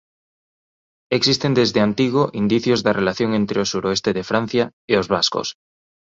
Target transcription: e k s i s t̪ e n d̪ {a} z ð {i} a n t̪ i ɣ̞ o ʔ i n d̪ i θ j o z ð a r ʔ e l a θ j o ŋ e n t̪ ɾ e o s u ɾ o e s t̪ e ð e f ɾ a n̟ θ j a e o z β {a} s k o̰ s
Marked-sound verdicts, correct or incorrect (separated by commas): incorrect, incorrect, correct